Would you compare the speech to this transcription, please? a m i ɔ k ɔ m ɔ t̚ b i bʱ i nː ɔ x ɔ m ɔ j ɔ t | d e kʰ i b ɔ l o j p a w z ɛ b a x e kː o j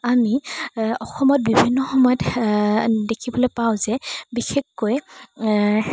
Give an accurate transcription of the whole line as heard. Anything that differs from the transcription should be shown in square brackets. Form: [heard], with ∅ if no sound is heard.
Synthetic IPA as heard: a m i ɔ [x] ɔ m ɔ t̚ b i bʱ i nː ɔ x ɔ m ɔ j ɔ t | d e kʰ i b ɔ l o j p a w z ɛ b [i] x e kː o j